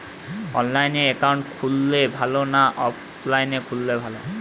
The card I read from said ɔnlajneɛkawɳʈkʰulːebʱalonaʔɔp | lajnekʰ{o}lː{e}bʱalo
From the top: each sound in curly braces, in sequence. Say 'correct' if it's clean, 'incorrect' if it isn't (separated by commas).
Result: incorrect, correct